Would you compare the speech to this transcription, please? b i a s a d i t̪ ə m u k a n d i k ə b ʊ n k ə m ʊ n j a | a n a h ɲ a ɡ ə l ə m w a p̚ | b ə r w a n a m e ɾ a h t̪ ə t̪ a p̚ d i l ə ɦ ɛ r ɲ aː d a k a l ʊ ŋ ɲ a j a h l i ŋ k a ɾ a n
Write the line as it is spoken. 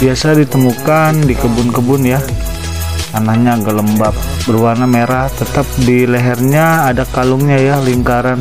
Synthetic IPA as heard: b i a s a d i t̪ ə m u k a n d i k ə b ʊ n k ə b ʊ n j a | a n a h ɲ a ɡ ə l ə m b a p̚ | b ə r w a n a m e ɾ a h t̪ ə t̪ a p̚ d i l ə ɦ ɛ r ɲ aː d a k a l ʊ ŋ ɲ a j a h l i ŋ k a ɾ a n